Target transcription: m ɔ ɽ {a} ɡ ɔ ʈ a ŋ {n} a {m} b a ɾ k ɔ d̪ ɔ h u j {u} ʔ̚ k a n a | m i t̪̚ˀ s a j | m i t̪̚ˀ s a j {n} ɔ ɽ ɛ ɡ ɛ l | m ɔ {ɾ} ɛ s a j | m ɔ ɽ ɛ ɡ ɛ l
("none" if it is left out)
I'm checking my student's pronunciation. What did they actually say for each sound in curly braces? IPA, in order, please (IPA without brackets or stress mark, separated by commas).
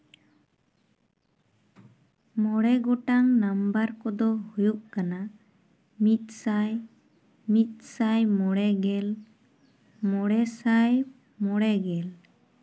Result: ɛ, n, m, u, m, ɽ